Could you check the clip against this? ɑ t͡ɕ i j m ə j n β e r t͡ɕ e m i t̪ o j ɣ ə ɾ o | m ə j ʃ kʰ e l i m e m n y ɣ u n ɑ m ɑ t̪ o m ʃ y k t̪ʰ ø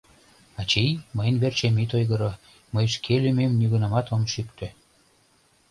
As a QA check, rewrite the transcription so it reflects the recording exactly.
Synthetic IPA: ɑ t͡ɕ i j m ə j n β e r t͡ɕ e m i t̪ o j ɣ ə ɾ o | m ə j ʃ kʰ e l y m e m n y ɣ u n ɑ m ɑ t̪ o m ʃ y k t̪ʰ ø